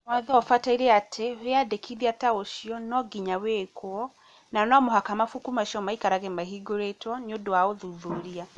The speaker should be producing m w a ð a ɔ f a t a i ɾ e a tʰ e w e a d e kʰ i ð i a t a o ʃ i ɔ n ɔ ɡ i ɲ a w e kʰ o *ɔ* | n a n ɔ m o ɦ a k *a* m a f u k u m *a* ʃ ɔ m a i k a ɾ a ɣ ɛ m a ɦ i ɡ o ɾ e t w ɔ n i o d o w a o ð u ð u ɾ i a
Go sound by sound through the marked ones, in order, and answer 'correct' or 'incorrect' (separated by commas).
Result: correct, correct, correct